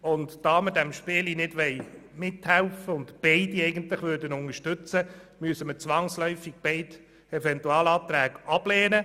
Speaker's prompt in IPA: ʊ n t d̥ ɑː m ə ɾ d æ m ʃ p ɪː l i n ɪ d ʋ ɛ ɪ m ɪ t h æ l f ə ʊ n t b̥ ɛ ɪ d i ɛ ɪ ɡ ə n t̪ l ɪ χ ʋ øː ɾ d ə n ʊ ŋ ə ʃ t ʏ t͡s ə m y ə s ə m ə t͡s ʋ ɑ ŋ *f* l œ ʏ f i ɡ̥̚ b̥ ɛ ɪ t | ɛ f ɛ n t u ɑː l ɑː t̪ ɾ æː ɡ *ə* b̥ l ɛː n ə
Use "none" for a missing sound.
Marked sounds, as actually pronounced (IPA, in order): s, ɑ

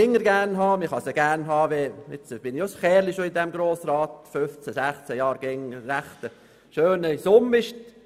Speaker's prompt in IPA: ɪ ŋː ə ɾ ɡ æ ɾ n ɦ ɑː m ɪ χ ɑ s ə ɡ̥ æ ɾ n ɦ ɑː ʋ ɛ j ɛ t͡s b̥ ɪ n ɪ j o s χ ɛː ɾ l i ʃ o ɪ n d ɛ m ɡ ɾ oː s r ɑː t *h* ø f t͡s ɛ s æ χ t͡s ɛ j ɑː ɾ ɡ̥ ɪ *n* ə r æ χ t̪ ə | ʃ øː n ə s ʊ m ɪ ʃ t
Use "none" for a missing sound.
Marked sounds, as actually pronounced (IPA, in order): f, ŋ

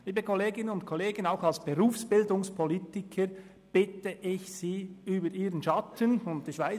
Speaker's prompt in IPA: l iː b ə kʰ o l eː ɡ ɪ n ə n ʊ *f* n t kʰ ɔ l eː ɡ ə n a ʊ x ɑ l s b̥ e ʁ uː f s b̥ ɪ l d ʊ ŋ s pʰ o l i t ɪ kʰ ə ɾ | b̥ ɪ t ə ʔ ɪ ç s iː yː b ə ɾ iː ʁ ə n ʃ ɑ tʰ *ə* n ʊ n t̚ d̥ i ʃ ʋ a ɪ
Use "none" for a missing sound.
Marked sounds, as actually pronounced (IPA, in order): none, ə

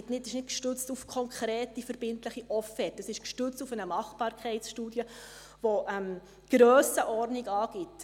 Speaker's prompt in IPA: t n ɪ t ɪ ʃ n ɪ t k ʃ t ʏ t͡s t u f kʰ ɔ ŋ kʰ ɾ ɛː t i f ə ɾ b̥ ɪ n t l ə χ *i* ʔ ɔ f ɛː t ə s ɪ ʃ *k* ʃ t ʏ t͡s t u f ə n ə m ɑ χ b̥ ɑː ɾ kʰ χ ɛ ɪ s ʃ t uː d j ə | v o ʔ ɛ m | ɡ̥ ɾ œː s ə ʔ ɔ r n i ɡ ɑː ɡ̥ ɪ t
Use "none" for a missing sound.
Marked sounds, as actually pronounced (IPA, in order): i, k

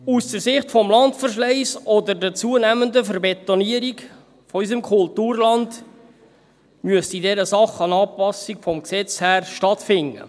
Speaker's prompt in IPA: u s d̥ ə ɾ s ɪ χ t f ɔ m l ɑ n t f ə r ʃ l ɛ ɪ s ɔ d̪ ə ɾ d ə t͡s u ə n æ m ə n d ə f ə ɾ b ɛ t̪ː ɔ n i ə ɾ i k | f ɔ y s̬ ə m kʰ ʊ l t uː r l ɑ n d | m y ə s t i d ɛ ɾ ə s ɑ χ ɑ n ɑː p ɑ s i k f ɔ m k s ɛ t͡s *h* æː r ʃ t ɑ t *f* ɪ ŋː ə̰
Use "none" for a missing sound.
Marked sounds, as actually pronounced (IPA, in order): h, f

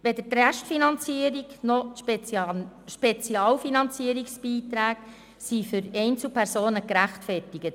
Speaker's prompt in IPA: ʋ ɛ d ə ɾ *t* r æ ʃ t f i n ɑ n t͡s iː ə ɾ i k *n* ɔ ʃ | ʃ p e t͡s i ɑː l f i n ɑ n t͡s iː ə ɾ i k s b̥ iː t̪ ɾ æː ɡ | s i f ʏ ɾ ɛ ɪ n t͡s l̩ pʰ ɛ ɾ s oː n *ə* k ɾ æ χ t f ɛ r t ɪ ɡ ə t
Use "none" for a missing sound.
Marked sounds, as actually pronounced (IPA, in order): t, n, ə

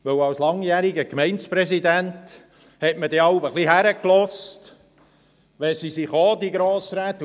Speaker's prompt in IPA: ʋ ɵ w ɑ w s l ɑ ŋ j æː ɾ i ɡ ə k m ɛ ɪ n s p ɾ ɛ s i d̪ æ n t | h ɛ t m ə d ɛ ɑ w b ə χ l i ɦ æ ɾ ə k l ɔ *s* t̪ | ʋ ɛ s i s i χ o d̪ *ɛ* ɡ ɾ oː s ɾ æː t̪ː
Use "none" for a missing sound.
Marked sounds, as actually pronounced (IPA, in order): s, i

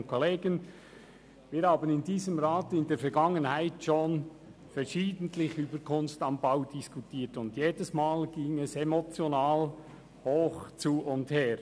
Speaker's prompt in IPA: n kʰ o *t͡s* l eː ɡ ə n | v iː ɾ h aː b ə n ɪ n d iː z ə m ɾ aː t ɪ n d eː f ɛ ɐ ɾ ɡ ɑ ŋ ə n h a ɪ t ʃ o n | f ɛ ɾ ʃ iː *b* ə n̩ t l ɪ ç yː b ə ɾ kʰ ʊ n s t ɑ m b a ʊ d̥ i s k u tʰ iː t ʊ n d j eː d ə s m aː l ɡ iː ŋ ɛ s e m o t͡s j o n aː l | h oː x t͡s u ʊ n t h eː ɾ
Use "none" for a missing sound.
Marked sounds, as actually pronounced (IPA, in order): none, d

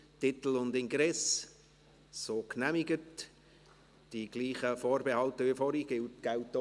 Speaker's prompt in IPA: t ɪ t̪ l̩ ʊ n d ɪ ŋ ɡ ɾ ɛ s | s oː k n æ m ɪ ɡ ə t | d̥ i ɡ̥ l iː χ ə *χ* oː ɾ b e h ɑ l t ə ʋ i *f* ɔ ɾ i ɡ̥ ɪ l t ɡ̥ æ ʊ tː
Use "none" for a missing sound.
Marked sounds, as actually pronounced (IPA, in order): f, f

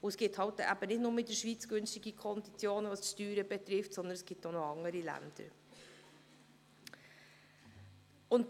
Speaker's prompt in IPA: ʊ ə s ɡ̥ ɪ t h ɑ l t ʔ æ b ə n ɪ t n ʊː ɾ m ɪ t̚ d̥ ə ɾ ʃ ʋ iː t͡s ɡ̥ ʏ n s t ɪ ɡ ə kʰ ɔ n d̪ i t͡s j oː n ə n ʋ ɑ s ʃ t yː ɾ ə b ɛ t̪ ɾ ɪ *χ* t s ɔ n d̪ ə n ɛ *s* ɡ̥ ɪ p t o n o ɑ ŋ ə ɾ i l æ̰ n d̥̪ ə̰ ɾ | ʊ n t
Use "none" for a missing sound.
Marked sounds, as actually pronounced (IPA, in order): f, s

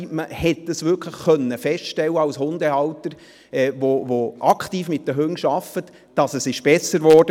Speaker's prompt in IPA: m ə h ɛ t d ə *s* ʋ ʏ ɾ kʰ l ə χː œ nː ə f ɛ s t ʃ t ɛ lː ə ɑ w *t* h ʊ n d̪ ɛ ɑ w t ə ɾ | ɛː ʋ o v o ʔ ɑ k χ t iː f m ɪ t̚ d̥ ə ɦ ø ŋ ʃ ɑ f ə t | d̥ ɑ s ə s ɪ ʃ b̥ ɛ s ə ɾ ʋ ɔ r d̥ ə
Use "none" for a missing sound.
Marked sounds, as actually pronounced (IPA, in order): s, s

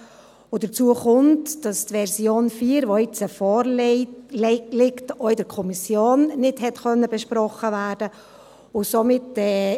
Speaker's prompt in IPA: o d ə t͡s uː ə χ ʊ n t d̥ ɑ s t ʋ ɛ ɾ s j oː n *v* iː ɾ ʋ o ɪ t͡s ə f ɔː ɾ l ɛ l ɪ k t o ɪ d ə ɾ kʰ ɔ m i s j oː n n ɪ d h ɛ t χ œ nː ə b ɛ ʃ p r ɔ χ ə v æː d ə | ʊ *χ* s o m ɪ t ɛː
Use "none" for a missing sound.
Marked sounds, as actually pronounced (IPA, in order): f, none

